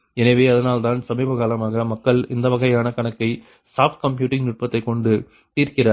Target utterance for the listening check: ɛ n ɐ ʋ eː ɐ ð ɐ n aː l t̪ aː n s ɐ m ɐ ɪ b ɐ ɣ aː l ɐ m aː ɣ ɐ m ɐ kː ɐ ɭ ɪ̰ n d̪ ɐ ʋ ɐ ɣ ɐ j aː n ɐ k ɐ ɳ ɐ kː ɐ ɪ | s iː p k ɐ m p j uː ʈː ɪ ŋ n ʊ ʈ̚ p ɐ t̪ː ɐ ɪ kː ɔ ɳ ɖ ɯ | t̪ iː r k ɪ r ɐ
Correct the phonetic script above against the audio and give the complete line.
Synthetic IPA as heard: ɛ n ɐ ʋ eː ɐ ð ɐ n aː l t̪ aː n s ɐ m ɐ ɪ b ɐ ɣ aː l ɐ m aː ɣ ɐ m ɐ kː ɐ ɭ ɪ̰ n d̪ ɐ ʋ ɐ ɣ ɐ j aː n ɐ k ɐ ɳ ɐ kː ɐ ɪ | s aː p k ɐ m p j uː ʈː ɪ ŋ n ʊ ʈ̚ p ɐ t̪ː ɐ ɪ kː ɔ ɳ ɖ ɯ | t̪ iː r k ɪ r ɐ

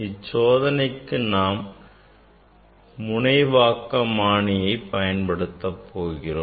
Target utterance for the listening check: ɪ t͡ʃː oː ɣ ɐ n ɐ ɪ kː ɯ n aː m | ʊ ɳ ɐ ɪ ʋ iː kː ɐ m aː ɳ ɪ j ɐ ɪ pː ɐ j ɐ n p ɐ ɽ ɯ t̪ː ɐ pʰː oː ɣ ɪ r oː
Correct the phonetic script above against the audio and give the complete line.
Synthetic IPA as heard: ɪ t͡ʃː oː ð ɐ n ɐ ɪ kː ɯ n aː m | ʊ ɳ ɐ ɪ ʋ aː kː ɐ m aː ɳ ɪ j ɐ ɪ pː ɐ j ɐ n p ɐ ɽ ɯ t̪ː ɐ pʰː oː ɣ ɪ r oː

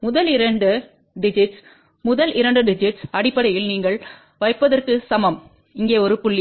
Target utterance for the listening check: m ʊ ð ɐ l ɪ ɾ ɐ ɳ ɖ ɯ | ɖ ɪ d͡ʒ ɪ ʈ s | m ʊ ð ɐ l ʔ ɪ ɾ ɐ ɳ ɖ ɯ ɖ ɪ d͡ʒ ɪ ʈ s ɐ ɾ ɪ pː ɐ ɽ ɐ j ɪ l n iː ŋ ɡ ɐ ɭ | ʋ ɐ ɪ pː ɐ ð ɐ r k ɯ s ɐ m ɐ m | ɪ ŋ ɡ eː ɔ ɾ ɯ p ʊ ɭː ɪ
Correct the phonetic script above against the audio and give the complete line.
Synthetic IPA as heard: m ʊ ð ɐ l ɪ ɾ ɐ ɳ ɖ ɯ | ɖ ɪ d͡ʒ ɪ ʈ s | m ʊ ð ɐ l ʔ ɪ ɾ ɐ ɳ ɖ ɯ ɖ ɪ d͡ʒ ɪ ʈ s ɐ ɽ ɪ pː ɐ ɽ ɐ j ɪ l n iː ŋ ɡ ɐ ɭ | ʋ ɐ ɪ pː ɐ ð ɐ r k ɯ s ɐ m ɐ m | ɪ ŋ ɡ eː ɔ ɾ ɯ p ʊ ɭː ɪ

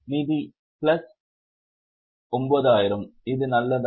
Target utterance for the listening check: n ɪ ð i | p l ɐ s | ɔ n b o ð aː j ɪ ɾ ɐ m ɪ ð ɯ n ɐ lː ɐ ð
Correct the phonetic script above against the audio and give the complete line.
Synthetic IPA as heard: n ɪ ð i | p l ɐ s | ɔ m b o ð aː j ɪ ɾ ɐ m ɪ ð ɯ n ɐ lː ɐ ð

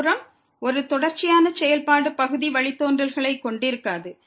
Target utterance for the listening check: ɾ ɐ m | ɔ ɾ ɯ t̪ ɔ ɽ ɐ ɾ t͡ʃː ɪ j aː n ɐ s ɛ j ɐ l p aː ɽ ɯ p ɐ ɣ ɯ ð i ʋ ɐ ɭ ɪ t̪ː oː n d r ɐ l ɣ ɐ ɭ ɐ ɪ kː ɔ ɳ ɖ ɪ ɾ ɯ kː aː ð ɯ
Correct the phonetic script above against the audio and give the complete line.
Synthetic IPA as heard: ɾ ɐ m | ɔ ɾ ɯ t̪ ɔ ɽ ɐ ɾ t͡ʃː ɪ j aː n ɐ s ɛ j ɐ l p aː ɽ ɯ p ɐ ɣ ɯ ð i ʋ ɐ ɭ ɪ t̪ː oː n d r ɐ l ɣ ɐ ɭ ɐ ɪ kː ɔ ɳ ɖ ɪ ɾ ɯ kː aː ð ɯ

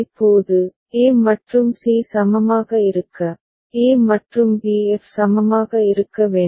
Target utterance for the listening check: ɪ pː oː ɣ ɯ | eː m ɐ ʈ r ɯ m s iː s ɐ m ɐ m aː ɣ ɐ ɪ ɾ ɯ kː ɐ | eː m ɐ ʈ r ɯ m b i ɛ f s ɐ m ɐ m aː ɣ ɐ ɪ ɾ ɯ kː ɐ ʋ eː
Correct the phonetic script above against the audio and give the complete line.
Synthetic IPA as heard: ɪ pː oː ð ɯ | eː m ɐ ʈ r ɯ m s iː s ɐ m ɐ m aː ɣ ɐ ɪ ɾ ɯ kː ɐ | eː m ɐ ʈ r ɯ m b i ɛ f s ɐ m ɐ m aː ɣ ɐ ɪ ɾ ɯ kː ɐ ʋ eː

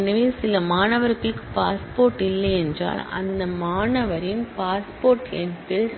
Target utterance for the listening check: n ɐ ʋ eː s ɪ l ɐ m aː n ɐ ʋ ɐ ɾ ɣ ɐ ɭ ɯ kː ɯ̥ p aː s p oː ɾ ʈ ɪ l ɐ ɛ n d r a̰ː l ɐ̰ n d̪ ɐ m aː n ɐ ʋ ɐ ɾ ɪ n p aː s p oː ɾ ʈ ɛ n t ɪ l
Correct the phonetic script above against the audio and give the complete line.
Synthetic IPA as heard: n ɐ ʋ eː s ɪ l ɐ m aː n ɐ ʋ ɐ ɾ ɣ ɐ ɭ ɯ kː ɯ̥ p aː s p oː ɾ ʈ ɪ lː ɐ ɛ n d r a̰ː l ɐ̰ n d̪ ɐ m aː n ɐ ʋ ɐ ɾ ɪ n p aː s p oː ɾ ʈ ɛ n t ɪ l

